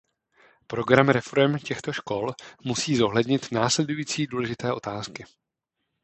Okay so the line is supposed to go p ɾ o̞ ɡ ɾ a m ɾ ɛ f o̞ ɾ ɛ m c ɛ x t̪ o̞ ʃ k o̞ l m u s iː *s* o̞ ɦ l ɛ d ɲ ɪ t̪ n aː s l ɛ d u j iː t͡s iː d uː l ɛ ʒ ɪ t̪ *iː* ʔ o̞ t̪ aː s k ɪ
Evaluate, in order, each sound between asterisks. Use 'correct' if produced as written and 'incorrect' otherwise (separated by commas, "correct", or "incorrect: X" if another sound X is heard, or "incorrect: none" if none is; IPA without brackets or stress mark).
incorrect: z, incorrect: ɛː